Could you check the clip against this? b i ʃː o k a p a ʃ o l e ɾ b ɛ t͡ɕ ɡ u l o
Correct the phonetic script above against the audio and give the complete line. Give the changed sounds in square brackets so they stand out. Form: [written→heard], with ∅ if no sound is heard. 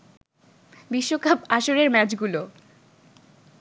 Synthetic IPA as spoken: b i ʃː o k a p a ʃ o [l→ɾ] e ɾ [b→m] ɛ t͡ɕ ɡ u l o